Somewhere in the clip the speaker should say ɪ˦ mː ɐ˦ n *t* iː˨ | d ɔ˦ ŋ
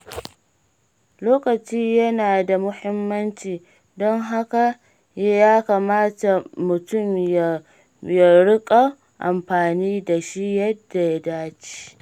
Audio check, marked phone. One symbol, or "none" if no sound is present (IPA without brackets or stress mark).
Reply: t͡ʃ